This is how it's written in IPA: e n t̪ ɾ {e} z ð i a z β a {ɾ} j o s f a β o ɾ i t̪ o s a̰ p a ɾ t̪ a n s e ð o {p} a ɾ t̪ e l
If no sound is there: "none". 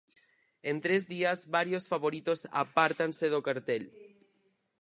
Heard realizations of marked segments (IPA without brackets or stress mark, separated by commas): e, ɾ, k